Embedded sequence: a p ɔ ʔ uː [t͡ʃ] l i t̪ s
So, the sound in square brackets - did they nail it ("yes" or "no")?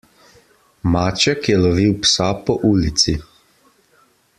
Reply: no